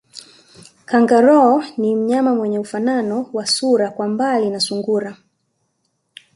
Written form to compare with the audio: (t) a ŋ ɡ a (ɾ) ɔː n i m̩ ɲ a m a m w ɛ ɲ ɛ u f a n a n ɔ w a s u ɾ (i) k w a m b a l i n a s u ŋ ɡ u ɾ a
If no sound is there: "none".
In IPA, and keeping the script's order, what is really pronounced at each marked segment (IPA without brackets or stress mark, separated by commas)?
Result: k, ɾ, a